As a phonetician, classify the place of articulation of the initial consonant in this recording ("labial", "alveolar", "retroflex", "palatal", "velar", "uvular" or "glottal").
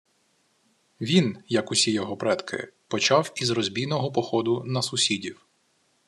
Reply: labial